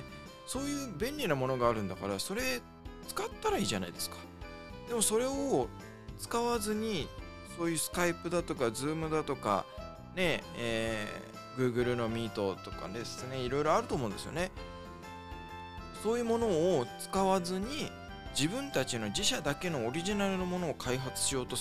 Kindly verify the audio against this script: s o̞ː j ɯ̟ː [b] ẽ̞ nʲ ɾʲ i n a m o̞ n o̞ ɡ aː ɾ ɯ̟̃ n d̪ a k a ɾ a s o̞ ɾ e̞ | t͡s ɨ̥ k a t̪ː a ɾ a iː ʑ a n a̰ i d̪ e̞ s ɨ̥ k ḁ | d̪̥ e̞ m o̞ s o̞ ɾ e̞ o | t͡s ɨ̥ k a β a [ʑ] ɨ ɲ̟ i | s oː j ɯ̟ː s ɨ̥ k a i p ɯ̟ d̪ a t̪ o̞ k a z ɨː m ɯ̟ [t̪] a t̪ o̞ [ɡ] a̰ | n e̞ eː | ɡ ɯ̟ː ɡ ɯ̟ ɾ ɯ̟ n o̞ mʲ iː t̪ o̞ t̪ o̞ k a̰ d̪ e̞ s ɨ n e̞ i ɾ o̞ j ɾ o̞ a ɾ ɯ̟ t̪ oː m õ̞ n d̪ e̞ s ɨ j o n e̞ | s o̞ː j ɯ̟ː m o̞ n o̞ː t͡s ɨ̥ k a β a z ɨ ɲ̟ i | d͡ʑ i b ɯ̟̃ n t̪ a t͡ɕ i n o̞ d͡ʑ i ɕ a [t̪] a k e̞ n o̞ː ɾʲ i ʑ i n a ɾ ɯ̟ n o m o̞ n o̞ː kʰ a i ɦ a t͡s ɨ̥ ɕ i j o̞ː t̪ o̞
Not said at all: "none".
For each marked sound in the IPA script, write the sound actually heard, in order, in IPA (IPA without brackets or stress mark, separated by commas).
b, z, d̪, k, d̪